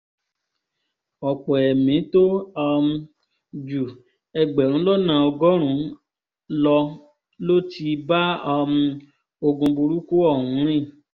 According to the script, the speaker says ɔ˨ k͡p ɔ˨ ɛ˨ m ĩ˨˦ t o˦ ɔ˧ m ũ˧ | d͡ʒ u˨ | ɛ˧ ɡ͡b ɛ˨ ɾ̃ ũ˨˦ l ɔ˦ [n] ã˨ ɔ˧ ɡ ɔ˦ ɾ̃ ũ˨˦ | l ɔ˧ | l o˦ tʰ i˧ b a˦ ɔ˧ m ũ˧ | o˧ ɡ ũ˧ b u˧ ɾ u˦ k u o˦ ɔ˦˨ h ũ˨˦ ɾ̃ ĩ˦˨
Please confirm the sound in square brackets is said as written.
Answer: yes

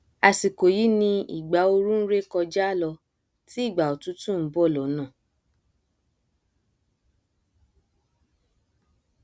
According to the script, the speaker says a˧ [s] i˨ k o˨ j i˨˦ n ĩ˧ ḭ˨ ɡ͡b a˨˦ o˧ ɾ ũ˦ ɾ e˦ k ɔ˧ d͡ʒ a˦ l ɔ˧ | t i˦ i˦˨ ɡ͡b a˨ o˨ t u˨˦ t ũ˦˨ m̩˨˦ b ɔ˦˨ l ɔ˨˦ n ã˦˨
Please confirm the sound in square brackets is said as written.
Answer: yes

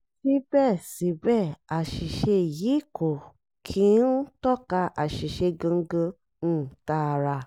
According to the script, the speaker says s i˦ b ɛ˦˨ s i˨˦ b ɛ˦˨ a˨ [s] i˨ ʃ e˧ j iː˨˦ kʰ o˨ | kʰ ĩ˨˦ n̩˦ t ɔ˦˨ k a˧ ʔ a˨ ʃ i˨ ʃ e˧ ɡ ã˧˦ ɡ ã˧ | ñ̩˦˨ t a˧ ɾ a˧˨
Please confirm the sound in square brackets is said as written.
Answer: no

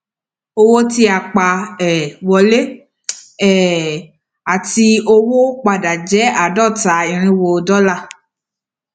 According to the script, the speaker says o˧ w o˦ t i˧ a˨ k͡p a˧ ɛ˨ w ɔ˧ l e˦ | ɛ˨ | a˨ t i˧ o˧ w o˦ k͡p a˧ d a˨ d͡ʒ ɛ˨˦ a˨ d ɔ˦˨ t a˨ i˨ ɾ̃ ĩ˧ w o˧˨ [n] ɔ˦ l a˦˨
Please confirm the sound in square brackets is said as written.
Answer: no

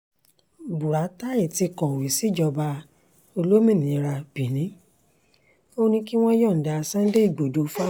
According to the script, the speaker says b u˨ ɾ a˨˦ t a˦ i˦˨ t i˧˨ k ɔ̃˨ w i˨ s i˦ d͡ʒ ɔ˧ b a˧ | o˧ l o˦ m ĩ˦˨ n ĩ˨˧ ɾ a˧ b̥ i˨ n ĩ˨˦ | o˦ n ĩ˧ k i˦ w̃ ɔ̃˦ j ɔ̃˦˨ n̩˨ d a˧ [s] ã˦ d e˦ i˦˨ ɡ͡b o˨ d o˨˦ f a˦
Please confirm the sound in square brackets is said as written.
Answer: yes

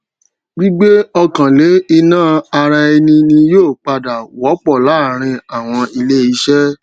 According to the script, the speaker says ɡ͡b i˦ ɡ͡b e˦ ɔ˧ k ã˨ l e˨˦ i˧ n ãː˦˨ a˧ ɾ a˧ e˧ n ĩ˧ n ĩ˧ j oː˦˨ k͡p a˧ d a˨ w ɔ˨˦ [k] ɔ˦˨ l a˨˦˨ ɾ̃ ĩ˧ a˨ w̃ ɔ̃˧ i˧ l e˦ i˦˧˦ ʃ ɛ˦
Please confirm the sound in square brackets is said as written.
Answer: no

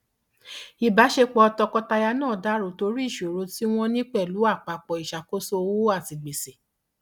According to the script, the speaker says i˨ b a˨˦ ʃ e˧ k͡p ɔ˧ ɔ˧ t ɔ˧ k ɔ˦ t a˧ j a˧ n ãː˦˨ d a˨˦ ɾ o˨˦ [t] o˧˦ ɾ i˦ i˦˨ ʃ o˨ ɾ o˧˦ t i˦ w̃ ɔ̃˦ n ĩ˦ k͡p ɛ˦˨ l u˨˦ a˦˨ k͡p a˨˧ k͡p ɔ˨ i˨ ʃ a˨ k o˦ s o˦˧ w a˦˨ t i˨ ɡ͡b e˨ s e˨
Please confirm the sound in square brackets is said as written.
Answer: yes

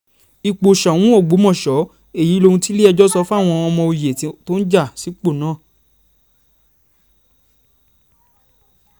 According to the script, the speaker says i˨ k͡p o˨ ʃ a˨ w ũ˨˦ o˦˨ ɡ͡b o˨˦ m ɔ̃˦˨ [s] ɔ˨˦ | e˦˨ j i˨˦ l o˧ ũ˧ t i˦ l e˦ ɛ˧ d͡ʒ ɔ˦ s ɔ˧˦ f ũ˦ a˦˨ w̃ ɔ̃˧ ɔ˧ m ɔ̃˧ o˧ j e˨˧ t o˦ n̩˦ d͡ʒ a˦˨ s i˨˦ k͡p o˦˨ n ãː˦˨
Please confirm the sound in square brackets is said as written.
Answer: no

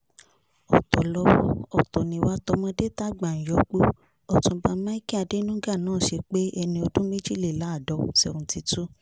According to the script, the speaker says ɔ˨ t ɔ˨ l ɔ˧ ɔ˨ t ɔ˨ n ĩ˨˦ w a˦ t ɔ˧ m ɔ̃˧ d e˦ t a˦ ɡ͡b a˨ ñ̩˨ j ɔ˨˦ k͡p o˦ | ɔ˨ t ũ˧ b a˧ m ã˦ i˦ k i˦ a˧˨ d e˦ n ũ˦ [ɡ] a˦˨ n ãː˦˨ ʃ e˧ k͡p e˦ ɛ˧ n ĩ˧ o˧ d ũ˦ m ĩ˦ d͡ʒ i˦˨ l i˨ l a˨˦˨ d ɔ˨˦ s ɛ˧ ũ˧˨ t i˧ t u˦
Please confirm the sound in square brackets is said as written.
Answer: yes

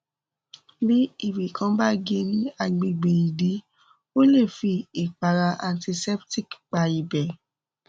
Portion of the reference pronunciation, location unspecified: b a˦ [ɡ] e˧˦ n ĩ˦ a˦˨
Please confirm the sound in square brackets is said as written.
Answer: yes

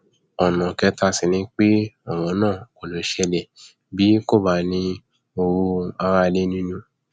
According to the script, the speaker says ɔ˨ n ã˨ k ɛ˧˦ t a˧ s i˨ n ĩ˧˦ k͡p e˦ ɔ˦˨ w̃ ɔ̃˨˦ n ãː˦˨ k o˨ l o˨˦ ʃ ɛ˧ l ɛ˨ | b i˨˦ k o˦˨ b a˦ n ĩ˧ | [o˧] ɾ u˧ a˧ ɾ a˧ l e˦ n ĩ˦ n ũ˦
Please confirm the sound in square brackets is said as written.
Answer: yes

